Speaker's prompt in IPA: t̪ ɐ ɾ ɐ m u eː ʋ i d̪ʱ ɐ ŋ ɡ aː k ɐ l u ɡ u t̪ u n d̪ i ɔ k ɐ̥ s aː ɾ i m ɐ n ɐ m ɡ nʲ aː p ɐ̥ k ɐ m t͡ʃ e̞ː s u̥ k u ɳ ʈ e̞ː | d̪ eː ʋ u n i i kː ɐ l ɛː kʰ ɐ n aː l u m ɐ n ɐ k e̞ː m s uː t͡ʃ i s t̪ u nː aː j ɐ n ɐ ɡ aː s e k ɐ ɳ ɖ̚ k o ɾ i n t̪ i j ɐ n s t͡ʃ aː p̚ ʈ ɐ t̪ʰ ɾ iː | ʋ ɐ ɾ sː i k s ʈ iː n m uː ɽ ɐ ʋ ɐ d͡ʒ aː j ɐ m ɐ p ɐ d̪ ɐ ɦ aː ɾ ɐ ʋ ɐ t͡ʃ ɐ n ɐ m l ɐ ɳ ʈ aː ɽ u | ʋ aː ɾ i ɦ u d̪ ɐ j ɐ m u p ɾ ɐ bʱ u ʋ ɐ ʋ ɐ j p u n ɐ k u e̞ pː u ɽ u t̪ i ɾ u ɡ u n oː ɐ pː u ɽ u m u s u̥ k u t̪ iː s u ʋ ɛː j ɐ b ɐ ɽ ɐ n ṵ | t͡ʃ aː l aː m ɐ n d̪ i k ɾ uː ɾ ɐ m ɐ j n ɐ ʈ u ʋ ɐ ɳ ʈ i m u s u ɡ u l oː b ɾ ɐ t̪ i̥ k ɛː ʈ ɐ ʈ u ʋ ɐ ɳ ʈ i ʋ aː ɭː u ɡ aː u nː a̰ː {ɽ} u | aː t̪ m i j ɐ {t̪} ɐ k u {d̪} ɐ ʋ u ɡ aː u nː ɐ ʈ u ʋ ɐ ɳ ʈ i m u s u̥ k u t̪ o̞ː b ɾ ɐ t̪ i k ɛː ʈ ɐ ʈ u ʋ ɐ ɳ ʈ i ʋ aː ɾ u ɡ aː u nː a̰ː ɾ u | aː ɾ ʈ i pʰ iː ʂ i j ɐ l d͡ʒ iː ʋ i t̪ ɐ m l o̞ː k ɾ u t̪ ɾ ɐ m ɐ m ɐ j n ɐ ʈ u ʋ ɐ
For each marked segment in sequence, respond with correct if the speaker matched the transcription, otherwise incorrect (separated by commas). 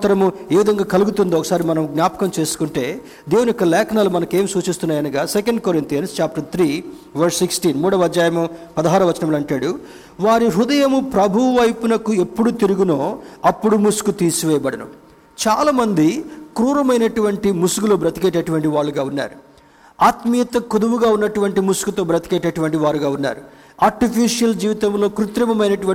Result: incorrect, correct, correct